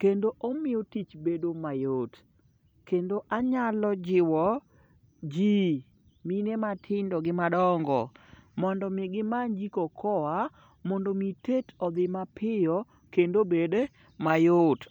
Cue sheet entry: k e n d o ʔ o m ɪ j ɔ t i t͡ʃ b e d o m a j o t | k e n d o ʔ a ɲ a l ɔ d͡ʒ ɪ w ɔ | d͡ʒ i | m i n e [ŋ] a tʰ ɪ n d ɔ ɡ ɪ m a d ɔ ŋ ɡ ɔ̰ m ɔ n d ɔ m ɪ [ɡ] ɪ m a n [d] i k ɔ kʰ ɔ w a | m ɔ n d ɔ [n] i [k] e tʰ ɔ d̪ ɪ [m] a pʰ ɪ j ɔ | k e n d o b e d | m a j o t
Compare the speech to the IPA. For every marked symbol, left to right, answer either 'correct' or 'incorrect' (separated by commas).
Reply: incorrect, correct, incorrect, incorrect, incorrect, correct